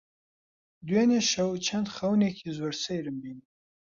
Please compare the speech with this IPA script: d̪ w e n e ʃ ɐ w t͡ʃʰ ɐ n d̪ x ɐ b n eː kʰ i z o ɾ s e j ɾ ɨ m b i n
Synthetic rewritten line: d̪ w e n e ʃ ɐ w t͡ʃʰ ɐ n d̪ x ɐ w n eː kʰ i z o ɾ s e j ɾ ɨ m b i n